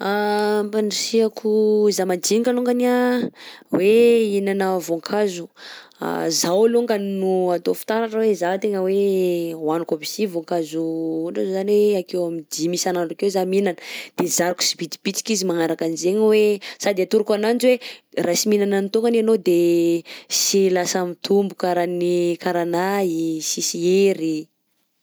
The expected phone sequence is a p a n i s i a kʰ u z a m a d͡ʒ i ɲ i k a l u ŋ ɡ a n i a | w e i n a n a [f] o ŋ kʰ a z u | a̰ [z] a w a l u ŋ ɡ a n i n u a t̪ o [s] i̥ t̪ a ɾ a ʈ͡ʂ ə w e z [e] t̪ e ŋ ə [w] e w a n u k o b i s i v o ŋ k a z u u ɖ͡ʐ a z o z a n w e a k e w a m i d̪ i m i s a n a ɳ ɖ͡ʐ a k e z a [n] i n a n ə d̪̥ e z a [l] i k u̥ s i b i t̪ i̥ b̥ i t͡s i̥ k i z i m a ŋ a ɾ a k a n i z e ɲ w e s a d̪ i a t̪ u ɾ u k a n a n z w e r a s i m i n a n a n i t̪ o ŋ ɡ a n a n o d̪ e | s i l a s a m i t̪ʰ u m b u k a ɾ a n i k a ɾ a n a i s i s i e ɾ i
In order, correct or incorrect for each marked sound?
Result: incorrect, correct, incorrect, incorrect, correct, incorrect, incorrect

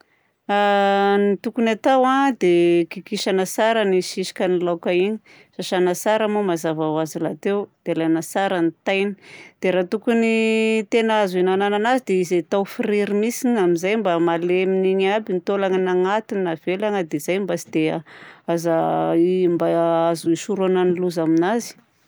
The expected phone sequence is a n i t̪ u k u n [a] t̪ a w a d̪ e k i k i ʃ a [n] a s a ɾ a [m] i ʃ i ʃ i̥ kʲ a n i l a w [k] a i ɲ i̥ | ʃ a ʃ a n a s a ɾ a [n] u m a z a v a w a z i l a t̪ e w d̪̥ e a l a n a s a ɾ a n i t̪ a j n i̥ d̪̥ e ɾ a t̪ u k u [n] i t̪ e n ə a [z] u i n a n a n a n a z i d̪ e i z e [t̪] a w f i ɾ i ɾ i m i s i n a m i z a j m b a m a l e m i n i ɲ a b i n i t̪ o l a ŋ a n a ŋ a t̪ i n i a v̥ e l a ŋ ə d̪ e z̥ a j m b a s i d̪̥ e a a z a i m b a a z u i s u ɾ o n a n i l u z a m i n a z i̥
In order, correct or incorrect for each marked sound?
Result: correct, correct, incorrect, correct, incorrect, correct, correct, correct

